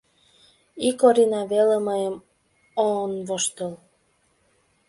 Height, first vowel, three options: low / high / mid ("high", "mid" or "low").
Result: high